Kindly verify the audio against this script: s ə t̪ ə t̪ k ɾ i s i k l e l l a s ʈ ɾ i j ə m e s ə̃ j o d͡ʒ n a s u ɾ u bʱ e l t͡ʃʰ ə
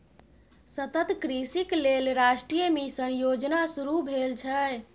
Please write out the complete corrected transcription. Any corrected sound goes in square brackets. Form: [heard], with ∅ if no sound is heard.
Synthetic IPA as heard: s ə t̪ ə t̪ k ɾ i s i k l e l [ɾ] a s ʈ ɾ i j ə m e s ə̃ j o d͡ʒ n a s u ɾ u bʱ e l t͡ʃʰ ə